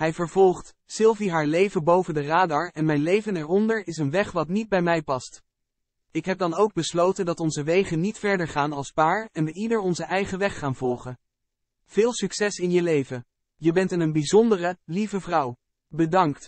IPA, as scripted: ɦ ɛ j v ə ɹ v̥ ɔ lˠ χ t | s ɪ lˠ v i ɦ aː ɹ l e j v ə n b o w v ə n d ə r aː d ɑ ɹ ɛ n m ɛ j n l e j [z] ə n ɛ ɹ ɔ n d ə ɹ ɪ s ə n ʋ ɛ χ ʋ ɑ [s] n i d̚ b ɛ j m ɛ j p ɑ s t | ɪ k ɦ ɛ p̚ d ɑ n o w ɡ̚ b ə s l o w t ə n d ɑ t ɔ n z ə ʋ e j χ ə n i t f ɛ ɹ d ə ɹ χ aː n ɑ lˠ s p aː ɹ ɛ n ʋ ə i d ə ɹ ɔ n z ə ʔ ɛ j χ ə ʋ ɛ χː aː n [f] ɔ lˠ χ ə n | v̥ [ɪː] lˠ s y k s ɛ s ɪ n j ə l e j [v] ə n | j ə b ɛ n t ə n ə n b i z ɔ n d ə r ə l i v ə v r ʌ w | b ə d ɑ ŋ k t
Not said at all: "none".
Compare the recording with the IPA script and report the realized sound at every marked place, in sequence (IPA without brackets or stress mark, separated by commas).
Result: v, t, v, ɪː, v